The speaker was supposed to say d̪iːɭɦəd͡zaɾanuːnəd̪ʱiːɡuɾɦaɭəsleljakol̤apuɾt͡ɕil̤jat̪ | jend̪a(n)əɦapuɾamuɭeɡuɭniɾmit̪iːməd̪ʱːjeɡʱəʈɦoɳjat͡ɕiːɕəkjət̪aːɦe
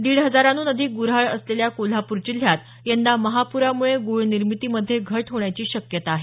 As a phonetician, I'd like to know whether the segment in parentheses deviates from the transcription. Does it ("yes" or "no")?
yes